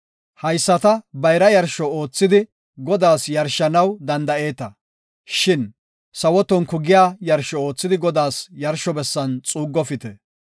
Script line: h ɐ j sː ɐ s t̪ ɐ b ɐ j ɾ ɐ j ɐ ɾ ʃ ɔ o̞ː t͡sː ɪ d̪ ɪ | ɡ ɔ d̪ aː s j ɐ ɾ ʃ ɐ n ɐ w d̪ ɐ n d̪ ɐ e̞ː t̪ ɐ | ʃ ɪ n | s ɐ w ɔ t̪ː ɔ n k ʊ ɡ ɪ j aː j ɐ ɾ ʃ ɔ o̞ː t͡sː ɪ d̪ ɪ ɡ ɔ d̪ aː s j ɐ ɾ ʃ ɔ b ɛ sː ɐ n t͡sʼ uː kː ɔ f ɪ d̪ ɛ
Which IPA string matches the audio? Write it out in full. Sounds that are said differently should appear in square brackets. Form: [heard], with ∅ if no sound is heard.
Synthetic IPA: h ɐ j sː ɐ [∅] t̪ ɐ b ɐ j ɾ ɐ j ɐ ɾ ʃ ɔ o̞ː t͡sː ɪ d̪ ɪ | ɡ ɔ d̪ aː s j ɐ ɾ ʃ ɐ n ɐ w d̪ ɐ n d̪ ɐ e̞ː t̪ ɐ | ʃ ɪ n | s ɐ w ɔ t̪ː ɔ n k ʊ ɡ ɪ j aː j ɐ ɾ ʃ ɔ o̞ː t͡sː ɪ d̪ ɪ ɡ ɔ d̪ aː s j ɐ ɾ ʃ ɔ b ɛ sː ɐ n t͡sʼ uː [ɡː] ɔ f ɪ [t̪] ɛ

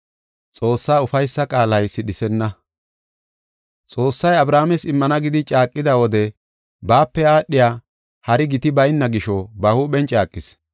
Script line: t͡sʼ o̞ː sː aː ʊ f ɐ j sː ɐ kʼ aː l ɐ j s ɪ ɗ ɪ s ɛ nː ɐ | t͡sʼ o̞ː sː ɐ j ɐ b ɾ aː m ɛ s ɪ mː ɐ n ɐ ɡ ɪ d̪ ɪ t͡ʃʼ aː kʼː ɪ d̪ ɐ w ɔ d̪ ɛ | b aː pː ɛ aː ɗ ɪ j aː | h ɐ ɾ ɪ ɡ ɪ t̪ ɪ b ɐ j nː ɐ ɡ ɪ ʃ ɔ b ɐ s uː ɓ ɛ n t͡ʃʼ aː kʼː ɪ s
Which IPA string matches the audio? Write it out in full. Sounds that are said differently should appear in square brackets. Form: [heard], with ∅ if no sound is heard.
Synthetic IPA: t͡sʼ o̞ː sː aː ʊ f ɐ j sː ɐ kʼ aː l ɐ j s ɪ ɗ ɪ s ɛ nː ɐ | t͡sʼ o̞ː sː ɐ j ɐ b ɾ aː m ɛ s ɪ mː ɐ n ɐ ɡ ɪ d̪ ɪ t͡ʃʼ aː kʼː ɪ d̪ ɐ w ɔ d̪ ɛ | b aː pː ɛ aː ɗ ɪ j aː | h ɐ ɾ ɪ ɡ ɪ t̪ ɪ b ɐ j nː ɐ ɡ ɪ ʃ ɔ b ɐ [h] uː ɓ ɛ n t͡ʃʼ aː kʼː ɪ s

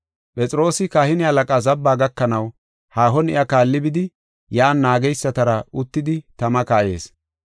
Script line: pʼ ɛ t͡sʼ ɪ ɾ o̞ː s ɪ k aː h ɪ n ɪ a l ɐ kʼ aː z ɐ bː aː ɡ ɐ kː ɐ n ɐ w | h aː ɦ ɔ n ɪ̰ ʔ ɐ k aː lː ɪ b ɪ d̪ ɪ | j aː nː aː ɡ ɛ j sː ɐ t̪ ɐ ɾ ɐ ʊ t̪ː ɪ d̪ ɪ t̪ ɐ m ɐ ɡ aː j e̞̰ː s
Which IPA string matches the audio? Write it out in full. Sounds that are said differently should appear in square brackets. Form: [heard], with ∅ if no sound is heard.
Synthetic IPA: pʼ ɛ t͡sʼ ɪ ɾ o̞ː s ɪ k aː h ɪ n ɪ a l ɐ kʼ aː z ɐ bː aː ɡ ɐ kː ɐ n ɐ w | h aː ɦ ɔ n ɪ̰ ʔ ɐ k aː lː ɪ b ɪ d̪ ɪ | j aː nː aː ɡ ɛ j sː ɐ t̪ ɐ ɾ ɐ ʊ t̪ː ɪ d̪ ɪ t̪ ɐ m ɐ [k] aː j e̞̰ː s

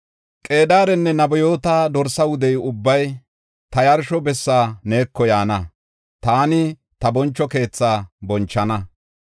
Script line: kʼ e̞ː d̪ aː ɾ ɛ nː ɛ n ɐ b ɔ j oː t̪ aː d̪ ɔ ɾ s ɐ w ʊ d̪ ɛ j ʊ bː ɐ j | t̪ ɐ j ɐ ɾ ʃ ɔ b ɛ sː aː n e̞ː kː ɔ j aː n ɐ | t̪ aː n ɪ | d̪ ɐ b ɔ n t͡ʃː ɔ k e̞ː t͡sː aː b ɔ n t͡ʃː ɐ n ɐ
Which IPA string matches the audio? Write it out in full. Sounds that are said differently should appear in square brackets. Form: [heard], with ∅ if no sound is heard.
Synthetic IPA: kʼ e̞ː d̪ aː ɾ ɛ nː ɛ n ɐ b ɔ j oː t̪ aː d̪ ɔ ɾ s ɐ w ʊ d̪ ɛ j ʊ bː ɐ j | t̪ ɐ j ɐ ɾ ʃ ɔ b ɛ sː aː n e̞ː kː ɔ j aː n ɐ | t̪ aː n ɪ | [t̪] ɐ b ɔ n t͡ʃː ɔ k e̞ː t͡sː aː b ɔ n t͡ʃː ɐ n ɐ

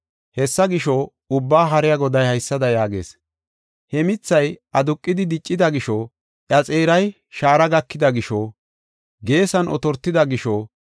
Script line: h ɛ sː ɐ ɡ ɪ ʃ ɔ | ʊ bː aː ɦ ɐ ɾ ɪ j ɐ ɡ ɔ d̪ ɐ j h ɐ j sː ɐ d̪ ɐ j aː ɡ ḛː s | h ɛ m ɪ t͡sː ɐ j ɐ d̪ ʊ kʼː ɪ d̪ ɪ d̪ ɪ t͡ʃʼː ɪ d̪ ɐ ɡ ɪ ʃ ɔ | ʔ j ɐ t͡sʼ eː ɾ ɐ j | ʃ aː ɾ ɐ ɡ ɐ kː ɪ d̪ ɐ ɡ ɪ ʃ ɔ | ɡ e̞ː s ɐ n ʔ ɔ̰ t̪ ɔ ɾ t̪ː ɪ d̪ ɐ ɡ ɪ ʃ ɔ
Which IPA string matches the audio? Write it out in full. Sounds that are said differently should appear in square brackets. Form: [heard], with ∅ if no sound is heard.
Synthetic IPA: h ɛ sː ɐ ɡ ɪ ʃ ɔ | ʊ bː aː ɦ ɐ ɾ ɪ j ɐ ɡ ɔ d̪ ɐ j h ɐ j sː ɐ d̪ ɐ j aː ɡ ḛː s | h ɛ m ɪ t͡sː ɐ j ɐ d̪ ʊ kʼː ɪ d̪ ɪ d̪ ɪ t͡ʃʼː ɪ d̪ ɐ ɡ ɪ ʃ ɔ | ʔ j ɐ t͡sʼ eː ɾ ɐ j | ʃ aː ɾ ɐ ɡ ɐ kː ɪ d̪ ɐ ɡ ɪ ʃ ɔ | ɡ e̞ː s ɐ n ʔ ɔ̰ t̪ ɔ ɾ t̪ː ɪ d̪ ɐ ɡ ɪ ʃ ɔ

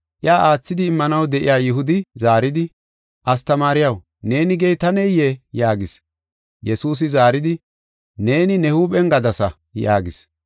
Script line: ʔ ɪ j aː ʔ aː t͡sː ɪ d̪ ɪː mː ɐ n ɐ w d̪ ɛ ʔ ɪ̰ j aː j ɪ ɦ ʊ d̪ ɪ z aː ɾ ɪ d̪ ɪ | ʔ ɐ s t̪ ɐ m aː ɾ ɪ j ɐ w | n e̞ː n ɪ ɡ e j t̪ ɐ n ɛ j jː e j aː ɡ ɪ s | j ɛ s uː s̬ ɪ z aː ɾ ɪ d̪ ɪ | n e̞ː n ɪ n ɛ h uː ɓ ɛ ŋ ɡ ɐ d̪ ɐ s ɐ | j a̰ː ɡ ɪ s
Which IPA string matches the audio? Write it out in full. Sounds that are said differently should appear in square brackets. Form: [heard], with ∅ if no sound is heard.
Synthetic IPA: ʔ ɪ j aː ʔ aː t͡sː ɪ d̪ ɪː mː ɐ n ɐ w d̪ ɛ ʔ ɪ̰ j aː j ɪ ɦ ʊ d̪ ɪ z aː ɾ ɪ d̪ ɪ | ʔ ɐ s t̪ ɐ m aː ɾ ɪ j ɐ w | n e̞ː n ɪ ɡ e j t̪ ɐ n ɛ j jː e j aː ɡ ɪ s | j ɛ s uː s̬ ɪ z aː ɾ ɪ d̪ ɪ | n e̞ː n ɪ n ɛ h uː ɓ ɛ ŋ ɡ ɐ d̪ ɐ s ɐ | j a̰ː ɡ ɪ s

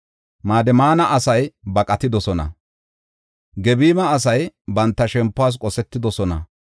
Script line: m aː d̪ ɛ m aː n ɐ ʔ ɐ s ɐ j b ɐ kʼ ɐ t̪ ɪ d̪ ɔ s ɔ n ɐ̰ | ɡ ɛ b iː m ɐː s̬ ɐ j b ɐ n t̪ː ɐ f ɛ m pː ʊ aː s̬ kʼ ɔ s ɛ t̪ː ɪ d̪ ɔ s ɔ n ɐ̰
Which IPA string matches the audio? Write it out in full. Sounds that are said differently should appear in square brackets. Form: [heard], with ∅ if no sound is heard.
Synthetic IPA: m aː d̪ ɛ m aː n ɐ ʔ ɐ s ɐ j b ɐ kʼ ɐ t̪ ɪ d̪ ɔ s ɔ n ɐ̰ | ɡ ɛ b iː m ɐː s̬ ɐ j b ɐ n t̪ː ɐ [ʃ] ɛ m pː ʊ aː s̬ kʼ ɔ s ɛ t̪ː ɪ d̪ ɔ s ɔ n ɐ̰

